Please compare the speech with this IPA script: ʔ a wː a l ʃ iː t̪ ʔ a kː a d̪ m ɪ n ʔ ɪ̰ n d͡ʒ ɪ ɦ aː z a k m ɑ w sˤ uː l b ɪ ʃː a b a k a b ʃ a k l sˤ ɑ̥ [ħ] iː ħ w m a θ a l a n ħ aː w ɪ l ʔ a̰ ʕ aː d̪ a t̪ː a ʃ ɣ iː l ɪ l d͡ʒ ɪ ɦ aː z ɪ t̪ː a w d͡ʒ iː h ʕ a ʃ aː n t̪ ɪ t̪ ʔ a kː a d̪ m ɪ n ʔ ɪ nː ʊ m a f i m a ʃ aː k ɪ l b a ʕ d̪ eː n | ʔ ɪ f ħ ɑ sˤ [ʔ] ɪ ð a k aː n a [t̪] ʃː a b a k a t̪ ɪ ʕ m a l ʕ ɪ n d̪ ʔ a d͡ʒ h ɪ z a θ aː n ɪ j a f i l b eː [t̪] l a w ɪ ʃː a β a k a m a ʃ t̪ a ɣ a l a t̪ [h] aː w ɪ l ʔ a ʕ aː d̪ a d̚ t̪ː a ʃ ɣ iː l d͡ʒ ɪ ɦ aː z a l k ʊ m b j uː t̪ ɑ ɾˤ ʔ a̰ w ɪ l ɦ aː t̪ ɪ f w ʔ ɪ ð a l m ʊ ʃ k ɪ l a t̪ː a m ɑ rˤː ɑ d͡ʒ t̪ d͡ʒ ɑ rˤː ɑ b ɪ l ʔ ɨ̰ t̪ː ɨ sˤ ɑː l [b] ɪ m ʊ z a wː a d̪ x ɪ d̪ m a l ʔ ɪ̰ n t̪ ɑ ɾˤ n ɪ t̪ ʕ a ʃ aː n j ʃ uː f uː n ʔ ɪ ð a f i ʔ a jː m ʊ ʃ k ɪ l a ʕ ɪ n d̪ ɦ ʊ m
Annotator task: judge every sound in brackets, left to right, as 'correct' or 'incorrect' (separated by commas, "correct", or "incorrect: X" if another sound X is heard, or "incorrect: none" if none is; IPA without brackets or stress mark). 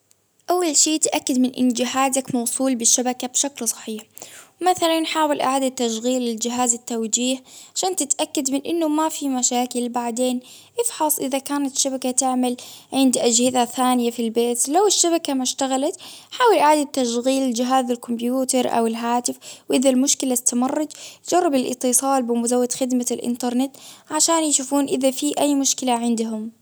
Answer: correct, correct, correct, correct, incorrect: ħ, correct